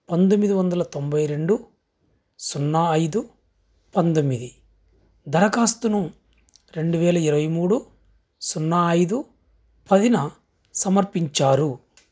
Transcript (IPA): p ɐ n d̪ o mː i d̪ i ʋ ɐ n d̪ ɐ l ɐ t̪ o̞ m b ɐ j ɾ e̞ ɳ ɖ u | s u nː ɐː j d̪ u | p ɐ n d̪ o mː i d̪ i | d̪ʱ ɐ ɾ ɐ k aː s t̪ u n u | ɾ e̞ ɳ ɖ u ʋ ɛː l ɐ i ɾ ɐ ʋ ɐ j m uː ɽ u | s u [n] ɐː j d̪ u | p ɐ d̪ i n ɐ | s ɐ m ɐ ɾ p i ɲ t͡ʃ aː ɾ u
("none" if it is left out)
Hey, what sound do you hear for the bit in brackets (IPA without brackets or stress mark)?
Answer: nː